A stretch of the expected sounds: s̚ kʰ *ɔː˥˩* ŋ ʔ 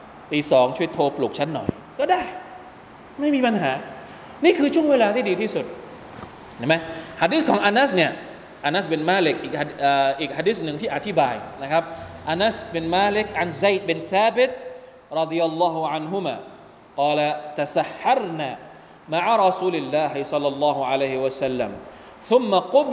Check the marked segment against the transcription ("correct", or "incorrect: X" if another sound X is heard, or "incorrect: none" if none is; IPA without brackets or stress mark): incorrect: ɔː˦